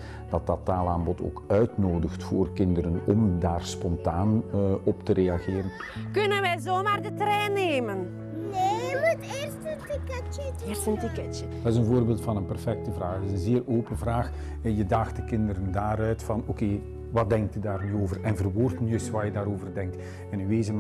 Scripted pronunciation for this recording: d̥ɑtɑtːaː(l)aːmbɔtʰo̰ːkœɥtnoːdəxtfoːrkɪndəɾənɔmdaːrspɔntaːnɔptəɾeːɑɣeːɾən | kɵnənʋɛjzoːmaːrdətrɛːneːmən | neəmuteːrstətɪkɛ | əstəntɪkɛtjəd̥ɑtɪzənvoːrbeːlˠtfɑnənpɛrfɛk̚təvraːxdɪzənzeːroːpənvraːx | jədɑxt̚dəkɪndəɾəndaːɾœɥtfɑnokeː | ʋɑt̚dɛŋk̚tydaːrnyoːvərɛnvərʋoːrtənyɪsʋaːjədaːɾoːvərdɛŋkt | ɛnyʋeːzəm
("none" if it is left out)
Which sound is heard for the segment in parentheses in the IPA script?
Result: l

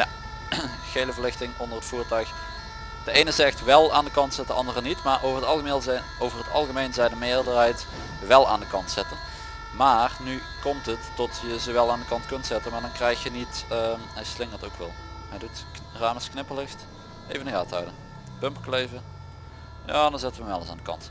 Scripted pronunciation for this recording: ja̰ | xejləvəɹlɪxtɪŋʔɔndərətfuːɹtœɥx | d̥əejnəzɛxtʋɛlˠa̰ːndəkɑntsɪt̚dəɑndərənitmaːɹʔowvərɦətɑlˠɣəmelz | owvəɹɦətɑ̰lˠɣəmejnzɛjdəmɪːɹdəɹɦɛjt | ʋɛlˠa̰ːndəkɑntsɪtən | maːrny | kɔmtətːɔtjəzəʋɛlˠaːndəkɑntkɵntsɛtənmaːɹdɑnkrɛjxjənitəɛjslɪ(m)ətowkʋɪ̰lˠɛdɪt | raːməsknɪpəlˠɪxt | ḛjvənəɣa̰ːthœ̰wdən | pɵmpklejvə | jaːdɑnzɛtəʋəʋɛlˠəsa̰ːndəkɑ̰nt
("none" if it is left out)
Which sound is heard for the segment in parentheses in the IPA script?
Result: ŋ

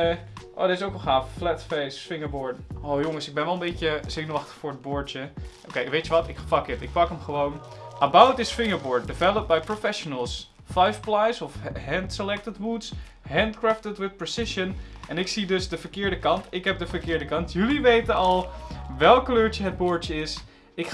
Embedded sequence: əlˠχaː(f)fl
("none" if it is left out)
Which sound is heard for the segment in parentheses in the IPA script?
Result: f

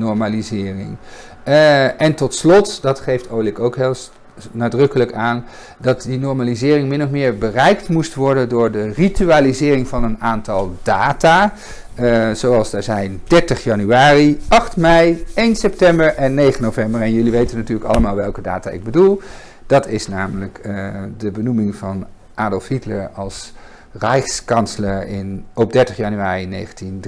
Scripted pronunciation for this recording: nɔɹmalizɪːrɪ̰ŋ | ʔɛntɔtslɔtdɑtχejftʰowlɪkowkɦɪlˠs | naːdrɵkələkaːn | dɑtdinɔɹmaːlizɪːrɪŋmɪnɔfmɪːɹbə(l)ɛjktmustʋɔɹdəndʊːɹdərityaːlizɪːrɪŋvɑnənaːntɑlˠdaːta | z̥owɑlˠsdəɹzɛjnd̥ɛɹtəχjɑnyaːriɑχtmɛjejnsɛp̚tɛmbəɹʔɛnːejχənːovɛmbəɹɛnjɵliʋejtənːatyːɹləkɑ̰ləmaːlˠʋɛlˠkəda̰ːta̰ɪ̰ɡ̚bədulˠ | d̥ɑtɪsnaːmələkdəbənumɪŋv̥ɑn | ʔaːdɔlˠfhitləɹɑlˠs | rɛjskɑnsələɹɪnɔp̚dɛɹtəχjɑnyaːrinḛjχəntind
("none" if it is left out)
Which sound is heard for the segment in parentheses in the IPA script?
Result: r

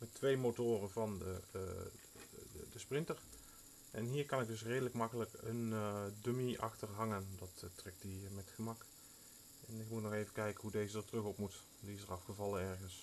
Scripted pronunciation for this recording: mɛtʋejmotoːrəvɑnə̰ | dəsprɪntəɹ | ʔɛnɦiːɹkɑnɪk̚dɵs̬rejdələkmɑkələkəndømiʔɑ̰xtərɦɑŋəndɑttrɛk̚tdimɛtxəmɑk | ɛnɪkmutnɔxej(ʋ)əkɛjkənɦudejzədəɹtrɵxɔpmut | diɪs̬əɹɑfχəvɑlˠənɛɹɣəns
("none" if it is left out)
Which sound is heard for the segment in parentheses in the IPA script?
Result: v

